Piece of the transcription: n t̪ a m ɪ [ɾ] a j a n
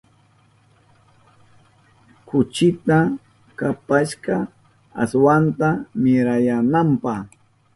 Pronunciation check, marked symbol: correct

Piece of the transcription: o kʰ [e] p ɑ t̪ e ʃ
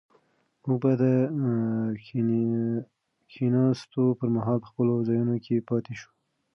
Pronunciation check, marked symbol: correct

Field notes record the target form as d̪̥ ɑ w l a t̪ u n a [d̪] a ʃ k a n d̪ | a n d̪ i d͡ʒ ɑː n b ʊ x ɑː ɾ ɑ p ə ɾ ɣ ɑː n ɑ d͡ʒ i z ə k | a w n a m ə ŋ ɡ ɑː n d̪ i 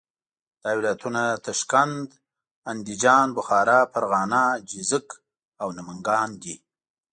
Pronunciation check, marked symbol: incorrect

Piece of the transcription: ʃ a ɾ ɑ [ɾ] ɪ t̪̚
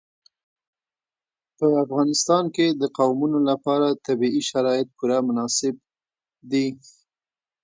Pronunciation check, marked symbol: incorrect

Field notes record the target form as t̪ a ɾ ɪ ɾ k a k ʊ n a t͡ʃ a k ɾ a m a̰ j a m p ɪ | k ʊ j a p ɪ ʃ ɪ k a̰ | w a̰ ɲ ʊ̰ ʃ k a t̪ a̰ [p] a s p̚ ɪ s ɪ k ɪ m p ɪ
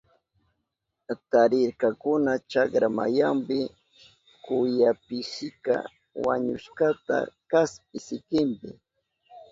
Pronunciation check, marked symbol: incorrect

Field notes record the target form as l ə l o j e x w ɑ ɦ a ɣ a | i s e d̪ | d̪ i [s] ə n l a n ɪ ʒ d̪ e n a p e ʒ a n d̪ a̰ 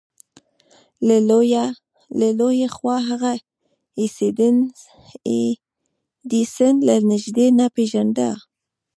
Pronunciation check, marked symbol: correct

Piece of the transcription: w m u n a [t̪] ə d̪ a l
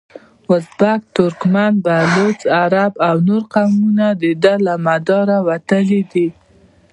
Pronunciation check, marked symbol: incorrect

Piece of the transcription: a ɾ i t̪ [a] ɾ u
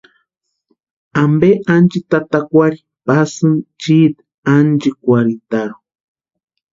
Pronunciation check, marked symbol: correct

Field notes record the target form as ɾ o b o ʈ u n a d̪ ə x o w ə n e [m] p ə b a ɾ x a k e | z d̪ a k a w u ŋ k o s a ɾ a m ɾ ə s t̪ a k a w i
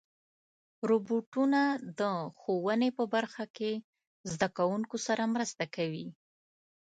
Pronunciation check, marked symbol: incorrect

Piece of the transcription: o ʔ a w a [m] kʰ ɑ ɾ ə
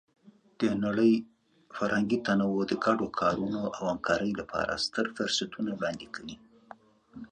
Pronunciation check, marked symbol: correct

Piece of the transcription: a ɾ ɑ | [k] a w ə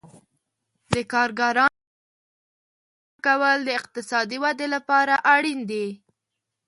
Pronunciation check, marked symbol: correct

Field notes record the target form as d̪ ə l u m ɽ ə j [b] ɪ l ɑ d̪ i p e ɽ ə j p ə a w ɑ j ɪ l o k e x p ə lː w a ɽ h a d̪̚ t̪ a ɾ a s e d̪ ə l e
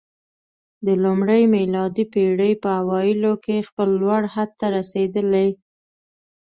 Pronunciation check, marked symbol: incorrect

